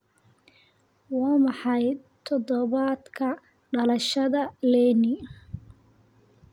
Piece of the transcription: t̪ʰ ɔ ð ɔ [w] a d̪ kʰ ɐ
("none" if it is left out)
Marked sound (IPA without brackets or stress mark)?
β